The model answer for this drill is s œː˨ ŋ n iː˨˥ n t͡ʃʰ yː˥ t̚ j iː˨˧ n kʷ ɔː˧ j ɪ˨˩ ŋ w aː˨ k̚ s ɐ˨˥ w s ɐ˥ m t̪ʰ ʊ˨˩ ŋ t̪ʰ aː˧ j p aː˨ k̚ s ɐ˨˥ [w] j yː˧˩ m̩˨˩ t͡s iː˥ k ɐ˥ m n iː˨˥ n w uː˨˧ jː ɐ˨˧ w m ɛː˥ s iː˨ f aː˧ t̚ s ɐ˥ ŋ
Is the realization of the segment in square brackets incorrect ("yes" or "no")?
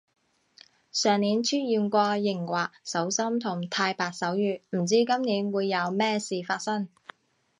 no